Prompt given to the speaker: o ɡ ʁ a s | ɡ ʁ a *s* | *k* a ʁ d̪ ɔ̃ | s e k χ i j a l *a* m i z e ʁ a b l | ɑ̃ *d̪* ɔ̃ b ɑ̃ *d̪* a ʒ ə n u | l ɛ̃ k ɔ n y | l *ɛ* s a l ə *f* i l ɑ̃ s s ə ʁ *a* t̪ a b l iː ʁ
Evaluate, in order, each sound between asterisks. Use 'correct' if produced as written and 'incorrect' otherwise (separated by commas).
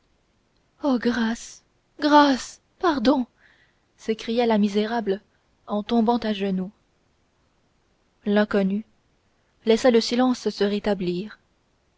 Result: correct, incorrect, correct, incorrect, incorrect, correct, incorrect, incorrect